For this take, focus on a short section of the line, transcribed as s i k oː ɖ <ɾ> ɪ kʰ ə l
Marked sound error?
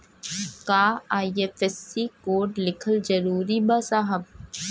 yes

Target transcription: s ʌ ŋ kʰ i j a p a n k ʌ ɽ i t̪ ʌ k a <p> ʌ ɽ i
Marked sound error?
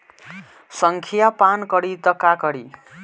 yes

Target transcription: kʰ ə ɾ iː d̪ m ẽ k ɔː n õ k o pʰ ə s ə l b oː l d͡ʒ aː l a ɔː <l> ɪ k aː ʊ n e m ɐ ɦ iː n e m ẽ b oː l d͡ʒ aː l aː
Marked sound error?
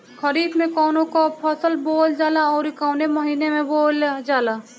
yes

